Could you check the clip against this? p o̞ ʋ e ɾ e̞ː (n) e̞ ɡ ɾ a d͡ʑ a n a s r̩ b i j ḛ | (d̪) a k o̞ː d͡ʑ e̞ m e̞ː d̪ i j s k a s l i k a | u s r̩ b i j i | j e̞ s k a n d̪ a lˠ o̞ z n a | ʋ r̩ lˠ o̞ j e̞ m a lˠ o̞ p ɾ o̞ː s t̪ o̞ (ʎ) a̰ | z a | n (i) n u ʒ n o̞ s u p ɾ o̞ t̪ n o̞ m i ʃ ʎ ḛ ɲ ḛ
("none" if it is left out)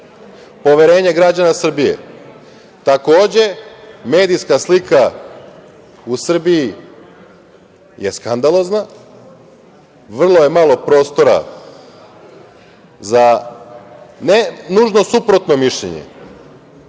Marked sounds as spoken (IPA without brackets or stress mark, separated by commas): ɲ, t̪, ɾ, e